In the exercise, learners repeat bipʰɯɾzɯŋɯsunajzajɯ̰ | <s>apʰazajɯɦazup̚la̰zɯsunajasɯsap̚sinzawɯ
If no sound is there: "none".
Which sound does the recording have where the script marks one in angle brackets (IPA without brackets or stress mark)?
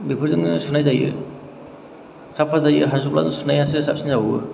s